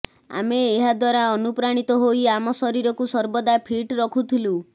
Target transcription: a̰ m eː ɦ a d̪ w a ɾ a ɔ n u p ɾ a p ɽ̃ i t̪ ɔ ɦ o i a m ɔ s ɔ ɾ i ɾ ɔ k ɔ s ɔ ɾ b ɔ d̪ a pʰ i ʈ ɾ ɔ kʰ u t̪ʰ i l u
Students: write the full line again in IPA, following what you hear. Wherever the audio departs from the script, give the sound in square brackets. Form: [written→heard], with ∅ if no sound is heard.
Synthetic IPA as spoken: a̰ m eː ɦ a d̪ w a ɾ a ɔ n u p ɾ a [p→∅] ɽ̃ i t̪ ɔ ɦ o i a m ɔ s ɔ ɾ i ɾ ɔ k [ɔ→u] s ɔ ɾ b ɔ d̪ a pʰ i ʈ ɾ ɔ kʰ u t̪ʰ i l u